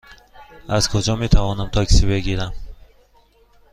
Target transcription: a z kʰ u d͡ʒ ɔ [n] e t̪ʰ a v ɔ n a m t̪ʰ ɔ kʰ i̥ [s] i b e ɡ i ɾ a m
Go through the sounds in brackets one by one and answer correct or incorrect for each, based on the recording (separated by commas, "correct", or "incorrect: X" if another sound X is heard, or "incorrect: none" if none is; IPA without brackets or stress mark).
incorrect: m, correct